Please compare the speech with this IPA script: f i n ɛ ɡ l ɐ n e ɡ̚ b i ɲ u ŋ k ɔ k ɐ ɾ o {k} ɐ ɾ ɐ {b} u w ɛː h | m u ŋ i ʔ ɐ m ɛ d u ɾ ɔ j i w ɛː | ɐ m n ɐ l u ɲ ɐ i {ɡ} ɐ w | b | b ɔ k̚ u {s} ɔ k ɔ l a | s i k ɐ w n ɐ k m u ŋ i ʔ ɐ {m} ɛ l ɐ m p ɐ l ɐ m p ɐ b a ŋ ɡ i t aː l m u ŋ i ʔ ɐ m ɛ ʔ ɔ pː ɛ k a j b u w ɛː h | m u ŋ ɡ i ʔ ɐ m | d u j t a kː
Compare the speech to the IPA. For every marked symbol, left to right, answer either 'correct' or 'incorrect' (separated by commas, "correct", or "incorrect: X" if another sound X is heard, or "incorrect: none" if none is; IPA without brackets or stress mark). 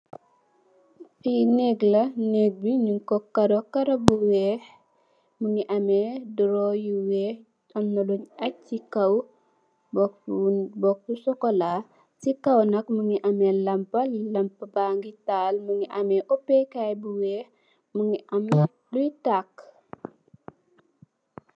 correct, correct, incorrect: k, correct, correct